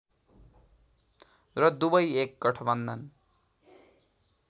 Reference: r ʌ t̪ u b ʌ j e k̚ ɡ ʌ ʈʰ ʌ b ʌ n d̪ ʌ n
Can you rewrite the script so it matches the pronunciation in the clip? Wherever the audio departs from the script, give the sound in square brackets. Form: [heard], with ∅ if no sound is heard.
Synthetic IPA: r ʌ [d̪] u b ʌ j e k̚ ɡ ʌ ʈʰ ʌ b ʌ n d̪ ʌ n